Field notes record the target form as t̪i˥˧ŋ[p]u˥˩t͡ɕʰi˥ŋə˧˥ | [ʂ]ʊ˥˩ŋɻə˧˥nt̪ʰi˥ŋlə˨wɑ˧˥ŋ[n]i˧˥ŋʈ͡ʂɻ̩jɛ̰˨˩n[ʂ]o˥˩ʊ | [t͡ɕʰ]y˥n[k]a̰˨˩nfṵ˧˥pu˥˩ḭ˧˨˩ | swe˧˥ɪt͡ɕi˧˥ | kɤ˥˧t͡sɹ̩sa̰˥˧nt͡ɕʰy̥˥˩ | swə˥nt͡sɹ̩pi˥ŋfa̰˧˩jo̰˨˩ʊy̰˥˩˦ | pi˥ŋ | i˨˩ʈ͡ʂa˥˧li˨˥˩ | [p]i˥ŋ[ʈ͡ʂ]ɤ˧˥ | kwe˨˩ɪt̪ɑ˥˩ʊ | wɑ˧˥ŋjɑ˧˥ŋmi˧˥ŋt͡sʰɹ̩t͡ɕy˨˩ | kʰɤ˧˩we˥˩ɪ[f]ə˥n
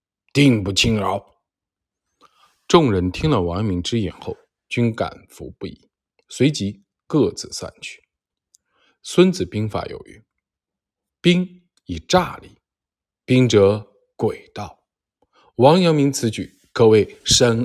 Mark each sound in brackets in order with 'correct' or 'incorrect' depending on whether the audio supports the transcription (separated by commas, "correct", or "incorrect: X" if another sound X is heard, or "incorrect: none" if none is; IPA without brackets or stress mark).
correct, incorrect: ʈ͡ʂ, incorrect: m, incorrect: x, incorrect: t͡ɕ, correct, correct, correct, incorrect: ʂ